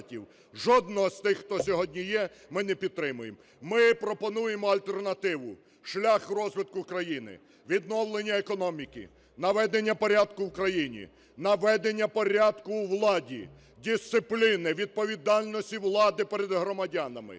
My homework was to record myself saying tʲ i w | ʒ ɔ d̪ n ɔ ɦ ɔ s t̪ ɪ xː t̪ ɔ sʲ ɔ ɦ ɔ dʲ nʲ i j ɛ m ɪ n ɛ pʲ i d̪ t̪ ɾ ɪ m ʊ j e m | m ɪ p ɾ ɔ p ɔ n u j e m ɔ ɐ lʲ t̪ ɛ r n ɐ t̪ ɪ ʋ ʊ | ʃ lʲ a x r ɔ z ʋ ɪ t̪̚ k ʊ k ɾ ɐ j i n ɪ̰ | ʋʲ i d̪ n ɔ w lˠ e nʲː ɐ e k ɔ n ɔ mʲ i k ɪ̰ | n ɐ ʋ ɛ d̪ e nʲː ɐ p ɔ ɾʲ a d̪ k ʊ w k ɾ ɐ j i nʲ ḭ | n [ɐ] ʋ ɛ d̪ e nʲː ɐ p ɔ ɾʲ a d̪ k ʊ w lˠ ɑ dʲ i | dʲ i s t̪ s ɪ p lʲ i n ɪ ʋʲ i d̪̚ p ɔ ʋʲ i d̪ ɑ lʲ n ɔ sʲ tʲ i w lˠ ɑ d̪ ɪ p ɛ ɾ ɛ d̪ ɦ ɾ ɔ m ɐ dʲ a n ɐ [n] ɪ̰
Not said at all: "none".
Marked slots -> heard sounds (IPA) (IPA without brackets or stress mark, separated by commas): ɐ, m